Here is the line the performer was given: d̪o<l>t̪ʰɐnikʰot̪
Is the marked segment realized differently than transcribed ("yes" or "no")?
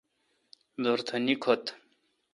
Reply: yes